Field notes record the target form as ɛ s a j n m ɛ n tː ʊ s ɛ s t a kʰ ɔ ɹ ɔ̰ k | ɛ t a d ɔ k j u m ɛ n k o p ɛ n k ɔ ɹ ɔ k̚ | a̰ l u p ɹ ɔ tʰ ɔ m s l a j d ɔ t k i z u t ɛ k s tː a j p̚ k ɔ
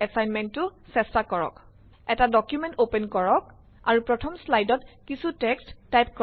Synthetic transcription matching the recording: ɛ s a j n m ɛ n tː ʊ s ɛ s t a k ɔ ɹ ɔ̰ k | ɛ t a d ɔ k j u m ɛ n t o p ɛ n k ɔ ɹ ɔ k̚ | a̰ ɹ u p ɹ ɔ tʰ ɔ m s l a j d ɔ t k i s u t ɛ k s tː a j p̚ k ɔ

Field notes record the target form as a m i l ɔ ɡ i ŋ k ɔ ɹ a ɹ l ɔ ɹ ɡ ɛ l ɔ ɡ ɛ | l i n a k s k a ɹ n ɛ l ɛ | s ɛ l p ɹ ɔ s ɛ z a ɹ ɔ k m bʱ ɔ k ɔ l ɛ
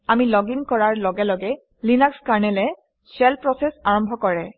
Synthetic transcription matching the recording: a m i l ɔ ɡ i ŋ k ɔ ɹ a ɹ l ɔ ɡ ɛ l ɔ ɡ ɛ | l i n a k s k a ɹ n ɛ l ɛ | s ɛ l p ɹ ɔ s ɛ s a ɹ ɔ m bʱ ɔ k ɔ ɹ ɛ

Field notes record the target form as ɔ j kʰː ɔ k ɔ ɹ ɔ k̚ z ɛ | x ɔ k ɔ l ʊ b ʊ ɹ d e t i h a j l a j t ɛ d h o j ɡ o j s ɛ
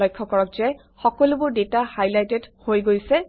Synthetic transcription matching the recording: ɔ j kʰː ɔ k ɔ ɹ ɔ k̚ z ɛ | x ɔ k ɔ l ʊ b ʊ ɹ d e t a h a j l a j t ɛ d h o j ɡ o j s ɛ

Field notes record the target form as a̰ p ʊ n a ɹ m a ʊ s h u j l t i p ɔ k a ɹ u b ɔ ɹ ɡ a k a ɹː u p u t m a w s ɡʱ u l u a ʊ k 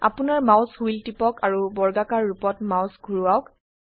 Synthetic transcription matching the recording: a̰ p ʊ n a ɹ m a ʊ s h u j l t i p ɔ k a ɹ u b ɔ ɹ ɡ a k a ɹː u p ɔ t m a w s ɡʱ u ɹ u a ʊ k

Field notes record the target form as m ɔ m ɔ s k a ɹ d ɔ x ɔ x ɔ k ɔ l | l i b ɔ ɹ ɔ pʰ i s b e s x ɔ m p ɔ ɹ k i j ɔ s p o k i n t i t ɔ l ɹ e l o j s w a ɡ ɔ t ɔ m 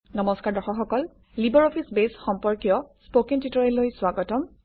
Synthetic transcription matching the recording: n ɔ m ɔ s k a ɹ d ɔ x ɔ x ɔ k ɔ l | l i b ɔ ɹ ɔ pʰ i s b e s x ɔ m p ɔ ɹ k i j ɔ s p o k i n t i t ɔ ɹ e l o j s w a ɡ ɔ t ɔ m

